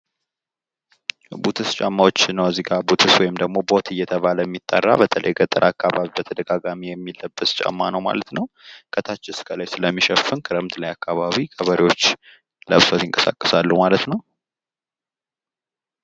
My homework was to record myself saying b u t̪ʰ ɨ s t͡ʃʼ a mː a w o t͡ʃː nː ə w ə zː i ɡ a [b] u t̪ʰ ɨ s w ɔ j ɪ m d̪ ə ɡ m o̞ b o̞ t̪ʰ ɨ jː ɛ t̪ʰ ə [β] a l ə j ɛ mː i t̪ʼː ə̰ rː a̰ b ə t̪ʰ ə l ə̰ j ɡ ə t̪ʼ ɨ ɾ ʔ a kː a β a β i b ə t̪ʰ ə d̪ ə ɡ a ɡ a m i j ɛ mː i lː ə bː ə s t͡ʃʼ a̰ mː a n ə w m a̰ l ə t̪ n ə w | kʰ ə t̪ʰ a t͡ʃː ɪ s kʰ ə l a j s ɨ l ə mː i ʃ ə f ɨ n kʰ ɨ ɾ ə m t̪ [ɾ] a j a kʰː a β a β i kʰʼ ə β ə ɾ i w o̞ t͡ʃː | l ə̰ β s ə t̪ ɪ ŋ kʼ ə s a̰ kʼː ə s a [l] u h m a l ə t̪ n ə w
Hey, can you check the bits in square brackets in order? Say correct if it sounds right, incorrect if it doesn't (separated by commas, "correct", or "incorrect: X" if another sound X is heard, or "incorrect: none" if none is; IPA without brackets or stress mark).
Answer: correct, correct, incorrect: l, incorrect: lː